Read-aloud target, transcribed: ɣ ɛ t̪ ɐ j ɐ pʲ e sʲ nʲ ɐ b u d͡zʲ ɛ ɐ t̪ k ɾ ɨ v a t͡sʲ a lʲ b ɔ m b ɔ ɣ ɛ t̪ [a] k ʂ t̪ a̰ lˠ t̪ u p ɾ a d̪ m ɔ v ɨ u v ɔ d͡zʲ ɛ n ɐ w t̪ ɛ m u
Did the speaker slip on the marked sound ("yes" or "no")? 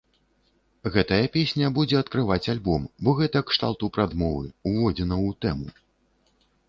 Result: yes